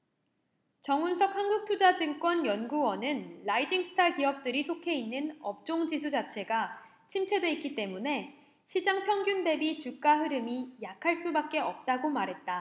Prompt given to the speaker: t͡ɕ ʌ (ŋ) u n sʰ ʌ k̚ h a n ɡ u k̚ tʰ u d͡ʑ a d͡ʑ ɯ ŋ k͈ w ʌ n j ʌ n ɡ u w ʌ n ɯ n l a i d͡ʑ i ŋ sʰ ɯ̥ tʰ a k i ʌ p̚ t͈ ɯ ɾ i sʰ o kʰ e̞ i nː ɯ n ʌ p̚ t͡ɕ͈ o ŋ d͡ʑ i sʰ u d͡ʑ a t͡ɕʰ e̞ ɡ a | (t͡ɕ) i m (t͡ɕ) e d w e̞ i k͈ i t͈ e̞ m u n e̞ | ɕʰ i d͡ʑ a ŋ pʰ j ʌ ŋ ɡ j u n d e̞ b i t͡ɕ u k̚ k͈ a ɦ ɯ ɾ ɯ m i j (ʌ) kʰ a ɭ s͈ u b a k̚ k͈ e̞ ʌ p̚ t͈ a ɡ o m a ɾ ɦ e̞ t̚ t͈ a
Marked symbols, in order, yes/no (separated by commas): yes, no, no, no